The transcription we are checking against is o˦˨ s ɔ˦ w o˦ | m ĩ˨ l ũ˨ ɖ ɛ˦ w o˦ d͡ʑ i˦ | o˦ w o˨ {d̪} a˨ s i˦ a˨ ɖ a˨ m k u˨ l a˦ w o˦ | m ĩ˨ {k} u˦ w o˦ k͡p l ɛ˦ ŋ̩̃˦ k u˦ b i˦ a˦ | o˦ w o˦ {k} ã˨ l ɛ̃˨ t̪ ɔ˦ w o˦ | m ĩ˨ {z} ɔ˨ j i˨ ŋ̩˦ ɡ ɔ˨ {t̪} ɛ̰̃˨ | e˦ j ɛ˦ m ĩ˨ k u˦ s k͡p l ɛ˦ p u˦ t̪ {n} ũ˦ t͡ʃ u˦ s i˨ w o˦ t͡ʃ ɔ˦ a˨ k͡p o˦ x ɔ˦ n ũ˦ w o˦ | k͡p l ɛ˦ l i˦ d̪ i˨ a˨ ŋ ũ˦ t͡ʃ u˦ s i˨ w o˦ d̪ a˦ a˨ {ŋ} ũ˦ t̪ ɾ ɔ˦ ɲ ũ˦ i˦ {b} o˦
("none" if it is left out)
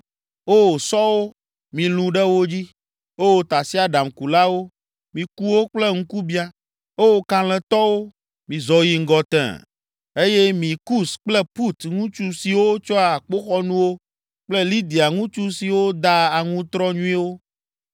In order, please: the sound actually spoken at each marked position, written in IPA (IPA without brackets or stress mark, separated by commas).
t̪, k, k, z, t̪, ŋ, ŋ, w